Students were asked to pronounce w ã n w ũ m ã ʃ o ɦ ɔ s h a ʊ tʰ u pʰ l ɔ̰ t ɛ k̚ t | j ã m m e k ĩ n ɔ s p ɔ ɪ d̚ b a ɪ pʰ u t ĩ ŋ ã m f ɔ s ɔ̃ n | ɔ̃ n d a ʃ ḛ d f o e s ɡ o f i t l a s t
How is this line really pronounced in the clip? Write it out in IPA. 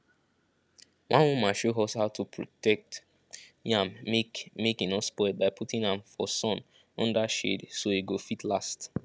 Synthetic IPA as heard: w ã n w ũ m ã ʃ o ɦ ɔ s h a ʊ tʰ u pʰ ɹ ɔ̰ t ɛ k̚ t | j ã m m e k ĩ n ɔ s p ɔ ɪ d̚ b a ɪ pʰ u t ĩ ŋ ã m f ɔ s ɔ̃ n | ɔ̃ n d a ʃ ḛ d s o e ɡ o f i t l a s t